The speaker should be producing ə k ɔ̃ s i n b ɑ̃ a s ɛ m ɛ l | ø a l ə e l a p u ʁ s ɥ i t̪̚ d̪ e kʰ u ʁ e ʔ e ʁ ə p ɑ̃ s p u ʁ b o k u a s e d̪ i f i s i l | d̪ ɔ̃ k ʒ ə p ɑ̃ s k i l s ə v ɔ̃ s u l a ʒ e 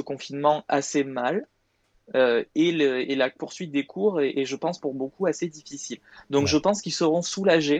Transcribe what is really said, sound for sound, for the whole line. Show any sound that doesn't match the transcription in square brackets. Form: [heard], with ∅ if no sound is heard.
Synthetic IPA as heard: ə k ɔ̃ [f] i n [m] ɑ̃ a s [e] m [a] l | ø [e] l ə e l a p u ʁ s ɥ i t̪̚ d̪ e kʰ u ʁ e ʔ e [ʒ] ə p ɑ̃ s p u ʁ b o k u a s e d̪ i f i s i l | d̪ ɔ̃ k ʒ ə p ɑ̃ s k i l s ə [ʁ] ɔ̃ s u l a ʒ e